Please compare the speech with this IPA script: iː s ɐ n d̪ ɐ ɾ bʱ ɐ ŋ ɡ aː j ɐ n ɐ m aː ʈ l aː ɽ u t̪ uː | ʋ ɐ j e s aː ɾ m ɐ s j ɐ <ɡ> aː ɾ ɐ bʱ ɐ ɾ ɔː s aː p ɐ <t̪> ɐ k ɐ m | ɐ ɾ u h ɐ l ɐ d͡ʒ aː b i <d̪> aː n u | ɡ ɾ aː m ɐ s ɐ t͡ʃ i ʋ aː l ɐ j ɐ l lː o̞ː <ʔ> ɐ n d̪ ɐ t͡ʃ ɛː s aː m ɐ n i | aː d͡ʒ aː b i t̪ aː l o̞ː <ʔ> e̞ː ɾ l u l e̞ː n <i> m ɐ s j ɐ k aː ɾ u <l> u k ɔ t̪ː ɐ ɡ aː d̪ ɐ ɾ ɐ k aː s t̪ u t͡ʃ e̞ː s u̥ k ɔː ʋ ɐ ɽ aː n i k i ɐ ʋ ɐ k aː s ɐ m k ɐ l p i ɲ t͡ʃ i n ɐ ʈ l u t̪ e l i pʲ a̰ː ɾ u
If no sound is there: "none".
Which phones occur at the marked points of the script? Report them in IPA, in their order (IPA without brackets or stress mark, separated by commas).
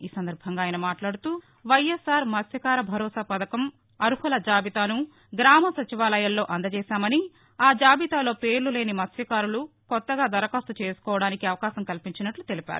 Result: k, d̪, t̪, ʔ, p, i, l